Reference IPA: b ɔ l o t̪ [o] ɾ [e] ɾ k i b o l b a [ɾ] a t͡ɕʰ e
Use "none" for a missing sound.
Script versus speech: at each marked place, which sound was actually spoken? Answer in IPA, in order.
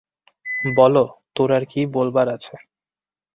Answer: o, a, ɾ

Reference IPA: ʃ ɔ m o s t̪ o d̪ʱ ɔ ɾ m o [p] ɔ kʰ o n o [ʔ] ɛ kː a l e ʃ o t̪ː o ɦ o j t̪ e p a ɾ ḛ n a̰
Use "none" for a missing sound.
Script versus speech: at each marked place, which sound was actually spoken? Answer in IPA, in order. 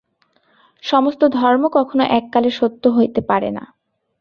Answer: k, ʔ

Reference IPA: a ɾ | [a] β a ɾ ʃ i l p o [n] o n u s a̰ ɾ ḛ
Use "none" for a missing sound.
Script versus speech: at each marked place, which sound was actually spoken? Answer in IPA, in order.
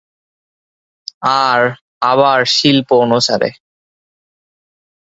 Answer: a, none

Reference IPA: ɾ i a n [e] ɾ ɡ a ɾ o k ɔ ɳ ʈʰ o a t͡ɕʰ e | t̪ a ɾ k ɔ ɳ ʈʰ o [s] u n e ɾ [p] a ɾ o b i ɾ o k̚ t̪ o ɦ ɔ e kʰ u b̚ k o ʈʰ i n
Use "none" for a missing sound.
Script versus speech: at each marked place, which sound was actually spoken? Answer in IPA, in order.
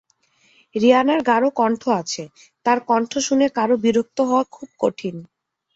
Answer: a, ʃ, k

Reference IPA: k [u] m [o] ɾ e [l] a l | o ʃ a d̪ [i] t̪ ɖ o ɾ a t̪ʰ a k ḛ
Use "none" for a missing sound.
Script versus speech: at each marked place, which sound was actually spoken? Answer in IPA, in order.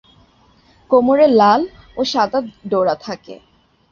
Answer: o, o, l, a

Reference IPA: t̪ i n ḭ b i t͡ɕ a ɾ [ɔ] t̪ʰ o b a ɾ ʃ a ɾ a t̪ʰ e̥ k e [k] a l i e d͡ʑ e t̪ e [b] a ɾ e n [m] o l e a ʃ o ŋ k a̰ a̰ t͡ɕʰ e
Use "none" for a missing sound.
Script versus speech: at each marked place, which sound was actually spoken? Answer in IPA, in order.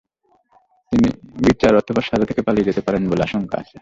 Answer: ɔ, p, p, b

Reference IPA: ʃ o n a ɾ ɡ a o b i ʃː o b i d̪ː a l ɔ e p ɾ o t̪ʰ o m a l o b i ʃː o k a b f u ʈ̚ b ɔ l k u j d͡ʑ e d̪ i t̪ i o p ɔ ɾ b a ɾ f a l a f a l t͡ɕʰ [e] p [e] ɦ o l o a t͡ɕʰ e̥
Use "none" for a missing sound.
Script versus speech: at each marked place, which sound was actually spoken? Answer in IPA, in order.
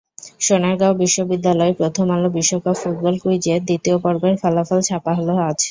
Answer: a, a

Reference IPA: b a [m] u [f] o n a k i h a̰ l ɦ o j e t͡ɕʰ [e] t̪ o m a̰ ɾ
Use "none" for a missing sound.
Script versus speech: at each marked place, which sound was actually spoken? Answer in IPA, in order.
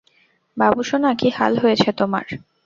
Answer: b, ʃ, e

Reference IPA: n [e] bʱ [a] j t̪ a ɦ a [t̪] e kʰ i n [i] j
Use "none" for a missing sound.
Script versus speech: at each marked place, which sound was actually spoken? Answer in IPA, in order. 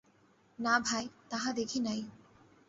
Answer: a, a, d̪, a

